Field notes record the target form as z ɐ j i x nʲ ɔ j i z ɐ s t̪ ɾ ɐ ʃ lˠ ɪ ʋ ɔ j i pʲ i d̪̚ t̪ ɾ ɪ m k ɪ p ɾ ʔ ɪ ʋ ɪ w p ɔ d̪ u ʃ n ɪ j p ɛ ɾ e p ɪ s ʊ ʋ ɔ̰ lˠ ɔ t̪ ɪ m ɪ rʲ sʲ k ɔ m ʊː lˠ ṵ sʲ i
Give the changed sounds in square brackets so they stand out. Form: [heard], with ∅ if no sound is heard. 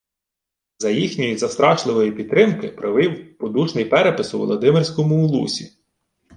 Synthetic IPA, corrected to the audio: z ɐ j i x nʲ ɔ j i z ɐ s t̪ ɾ [ɑ] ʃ lˠ ɪ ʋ ɔ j i pʲ i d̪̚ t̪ ɾ ɪ m k ɪ p ɾ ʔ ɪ ʋ ɪ w p ɔ d̪ u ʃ n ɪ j p ɛ ɾ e p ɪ s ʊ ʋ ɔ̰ lˠ ɔ [d̪] ɪ m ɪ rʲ sʲ k ɔ m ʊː lˠ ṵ sʲ i